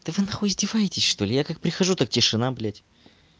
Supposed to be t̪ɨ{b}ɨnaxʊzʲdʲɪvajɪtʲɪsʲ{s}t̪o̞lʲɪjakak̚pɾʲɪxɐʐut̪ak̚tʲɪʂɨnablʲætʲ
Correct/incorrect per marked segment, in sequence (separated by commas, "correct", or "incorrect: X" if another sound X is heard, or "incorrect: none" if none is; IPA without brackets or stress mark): incorrect: v, incorrect: ʂ